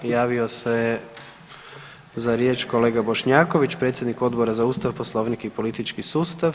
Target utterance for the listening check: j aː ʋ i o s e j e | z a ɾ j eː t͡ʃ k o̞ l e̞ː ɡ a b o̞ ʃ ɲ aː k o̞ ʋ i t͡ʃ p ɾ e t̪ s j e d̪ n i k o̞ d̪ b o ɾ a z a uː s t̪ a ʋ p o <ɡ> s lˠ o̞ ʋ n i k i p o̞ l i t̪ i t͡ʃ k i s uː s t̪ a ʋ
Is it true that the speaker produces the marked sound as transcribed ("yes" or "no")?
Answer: no